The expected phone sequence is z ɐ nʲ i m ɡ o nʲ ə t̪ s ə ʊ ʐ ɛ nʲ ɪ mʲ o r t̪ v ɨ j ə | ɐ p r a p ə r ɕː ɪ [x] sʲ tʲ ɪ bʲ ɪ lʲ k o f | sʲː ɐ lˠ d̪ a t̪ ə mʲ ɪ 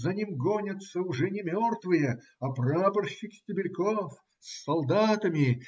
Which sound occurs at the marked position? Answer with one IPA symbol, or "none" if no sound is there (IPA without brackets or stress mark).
k